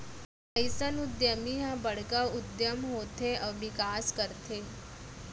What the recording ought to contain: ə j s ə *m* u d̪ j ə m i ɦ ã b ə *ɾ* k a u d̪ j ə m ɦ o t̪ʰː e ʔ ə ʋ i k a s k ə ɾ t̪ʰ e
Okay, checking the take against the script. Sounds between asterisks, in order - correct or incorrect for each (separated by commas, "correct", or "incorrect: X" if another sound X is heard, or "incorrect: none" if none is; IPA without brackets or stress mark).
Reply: incorrect: n, incorrect: ɽ